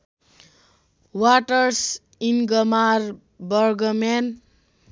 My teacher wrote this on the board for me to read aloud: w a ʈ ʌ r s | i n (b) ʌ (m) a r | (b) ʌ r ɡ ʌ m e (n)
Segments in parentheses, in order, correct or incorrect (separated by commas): incorrect, correct, correct, correct